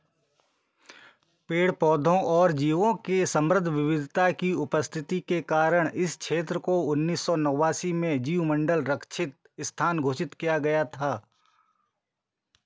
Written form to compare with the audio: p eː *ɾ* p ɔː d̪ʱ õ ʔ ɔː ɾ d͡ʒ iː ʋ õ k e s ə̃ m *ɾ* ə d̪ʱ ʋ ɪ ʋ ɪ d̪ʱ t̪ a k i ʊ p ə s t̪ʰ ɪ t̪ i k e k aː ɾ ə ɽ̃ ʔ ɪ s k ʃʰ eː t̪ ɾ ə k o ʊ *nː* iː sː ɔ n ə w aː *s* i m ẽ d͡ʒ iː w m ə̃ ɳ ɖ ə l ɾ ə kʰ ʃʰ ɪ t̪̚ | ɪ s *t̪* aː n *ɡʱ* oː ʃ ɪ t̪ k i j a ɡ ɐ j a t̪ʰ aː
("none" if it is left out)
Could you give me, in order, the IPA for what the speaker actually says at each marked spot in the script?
ɽ, ɾ, nː, s, t̪ʰ, ɡʱ

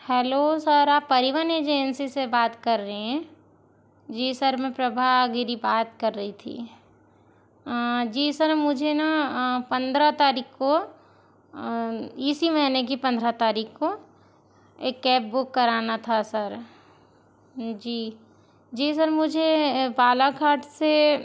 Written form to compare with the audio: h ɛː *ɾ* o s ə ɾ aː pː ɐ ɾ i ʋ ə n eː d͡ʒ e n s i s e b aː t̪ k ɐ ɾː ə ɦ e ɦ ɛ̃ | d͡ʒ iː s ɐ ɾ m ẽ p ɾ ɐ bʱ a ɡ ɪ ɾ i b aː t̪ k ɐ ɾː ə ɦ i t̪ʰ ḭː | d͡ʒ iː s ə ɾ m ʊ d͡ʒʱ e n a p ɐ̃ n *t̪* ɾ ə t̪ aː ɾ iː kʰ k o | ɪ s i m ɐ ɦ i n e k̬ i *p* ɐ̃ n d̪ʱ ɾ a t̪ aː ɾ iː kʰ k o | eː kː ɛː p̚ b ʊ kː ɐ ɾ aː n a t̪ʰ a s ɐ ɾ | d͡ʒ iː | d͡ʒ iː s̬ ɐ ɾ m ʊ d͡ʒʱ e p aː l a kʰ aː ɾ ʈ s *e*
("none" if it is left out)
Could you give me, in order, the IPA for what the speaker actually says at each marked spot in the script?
l, d̪, p, e

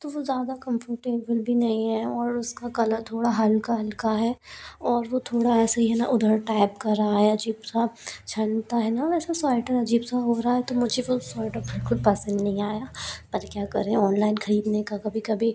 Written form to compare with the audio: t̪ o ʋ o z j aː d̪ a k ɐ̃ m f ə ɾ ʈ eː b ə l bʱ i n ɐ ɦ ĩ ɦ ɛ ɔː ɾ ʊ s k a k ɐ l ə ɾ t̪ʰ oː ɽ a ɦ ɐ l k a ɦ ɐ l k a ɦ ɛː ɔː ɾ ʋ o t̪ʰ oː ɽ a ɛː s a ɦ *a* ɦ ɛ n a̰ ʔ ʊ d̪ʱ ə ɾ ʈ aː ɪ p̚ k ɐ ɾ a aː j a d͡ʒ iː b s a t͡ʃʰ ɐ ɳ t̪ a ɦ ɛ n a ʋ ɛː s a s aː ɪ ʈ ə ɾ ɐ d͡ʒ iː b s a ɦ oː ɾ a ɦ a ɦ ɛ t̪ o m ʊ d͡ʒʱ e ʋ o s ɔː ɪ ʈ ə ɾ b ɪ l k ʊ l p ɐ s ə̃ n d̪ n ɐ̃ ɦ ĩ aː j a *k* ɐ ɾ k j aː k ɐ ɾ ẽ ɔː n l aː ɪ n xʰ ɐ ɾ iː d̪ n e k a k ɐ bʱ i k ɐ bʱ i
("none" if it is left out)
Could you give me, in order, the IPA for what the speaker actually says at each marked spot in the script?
i, p

